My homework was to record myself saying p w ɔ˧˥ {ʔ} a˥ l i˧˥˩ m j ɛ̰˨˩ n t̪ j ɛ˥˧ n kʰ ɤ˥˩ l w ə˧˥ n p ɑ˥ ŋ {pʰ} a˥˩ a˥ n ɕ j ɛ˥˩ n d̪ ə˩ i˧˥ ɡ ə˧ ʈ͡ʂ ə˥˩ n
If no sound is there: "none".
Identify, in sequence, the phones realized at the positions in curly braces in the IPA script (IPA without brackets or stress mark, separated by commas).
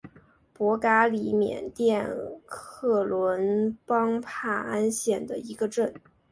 k, pʰ